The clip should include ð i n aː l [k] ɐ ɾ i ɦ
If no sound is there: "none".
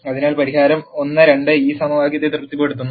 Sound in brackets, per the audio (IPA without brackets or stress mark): p